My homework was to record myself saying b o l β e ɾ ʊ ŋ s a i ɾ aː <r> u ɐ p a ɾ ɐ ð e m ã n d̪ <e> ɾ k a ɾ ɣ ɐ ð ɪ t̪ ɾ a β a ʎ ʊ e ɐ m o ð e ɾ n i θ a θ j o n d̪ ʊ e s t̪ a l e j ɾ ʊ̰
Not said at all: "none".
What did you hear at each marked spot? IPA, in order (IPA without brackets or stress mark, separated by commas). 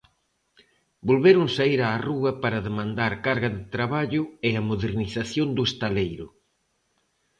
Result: r, a